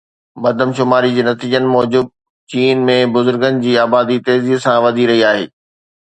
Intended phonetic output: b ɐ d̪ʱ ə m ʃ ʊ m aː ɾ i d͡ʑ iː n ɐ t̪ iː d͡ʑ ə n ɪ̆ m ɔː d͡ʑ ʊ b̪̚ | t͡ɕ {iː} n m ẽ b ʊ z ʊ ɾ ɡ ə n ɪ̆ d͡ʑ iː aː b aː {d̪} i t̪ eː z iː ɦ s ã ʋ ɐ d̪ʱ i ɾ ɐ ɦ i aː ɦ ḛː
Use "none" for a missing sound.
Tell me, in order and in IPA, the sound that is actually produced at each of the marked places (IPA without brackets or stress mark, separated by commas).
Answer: iː, d̪